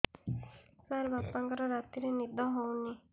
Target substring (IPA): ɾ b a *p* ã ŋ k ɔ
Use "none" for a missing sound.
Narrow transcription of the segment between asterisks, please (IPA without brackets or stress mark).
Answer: p